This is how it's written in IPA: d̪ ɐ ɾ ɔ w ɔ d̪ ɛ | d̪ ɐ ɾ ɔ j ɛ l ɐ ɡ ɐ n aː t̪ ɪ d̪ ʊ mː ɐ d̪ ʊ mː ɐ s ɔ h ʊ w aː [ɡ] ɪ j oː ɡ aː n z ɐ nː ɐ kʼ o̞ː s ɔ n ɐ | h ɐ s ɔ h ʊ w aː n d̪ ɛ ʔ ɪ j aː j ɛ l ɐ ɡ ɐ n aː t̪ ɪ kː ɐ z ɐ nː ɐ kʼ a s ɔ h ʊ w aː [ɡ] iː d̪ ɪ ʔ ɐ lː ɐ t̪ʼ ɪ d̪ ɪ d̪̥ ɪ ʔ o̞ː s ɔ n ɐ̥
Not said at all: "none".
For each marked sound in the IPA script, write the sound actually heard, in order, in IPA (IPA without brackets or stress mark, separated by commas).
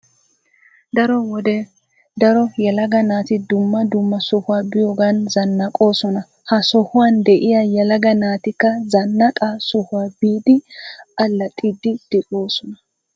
b, b